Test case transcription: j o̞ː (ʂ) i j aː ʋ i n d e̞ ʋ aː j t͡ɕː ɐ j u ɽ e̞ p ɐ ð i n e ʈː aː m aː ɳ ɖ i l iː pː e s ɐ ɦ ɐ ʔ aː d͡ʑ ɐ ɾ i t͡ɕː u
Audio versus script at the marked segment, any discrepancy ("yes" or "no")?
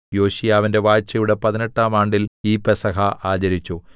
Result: yes